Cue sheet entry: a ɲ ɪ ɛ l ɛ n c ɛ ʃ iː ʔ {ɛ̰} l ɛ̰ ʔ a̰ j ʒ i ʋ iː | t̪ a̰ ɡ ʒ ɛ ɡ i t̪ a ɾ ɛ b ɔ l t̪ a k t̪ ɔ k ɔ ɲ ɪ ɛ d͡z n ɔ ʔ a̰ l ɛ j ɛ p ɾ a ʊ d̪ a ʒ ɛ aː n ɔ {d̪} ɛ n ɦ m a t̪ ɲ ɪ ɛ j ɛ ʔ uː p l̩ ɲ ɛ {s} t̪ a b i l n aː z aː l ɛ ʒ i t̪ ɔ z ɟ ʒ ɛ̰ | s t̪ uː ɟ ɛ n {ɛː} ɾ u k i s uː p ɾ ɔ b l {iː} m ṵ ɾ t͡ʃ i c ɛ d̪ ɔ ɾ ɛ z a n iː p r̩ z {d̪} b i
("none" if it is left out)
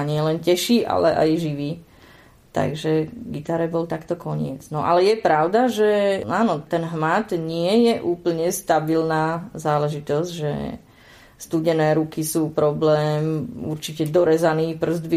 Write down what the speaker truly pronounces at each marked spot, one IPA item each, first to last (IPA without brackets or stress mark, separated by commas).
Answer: a̰, t̪, s, ɛː, ɛː, d̪